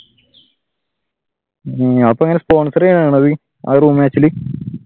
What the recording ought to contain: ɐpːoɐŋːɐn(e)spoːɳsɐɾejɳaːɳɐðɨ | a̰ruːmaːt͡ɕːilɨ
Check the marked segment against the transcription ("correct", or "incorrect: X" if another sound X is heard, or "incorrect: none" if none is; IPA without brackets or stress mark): correct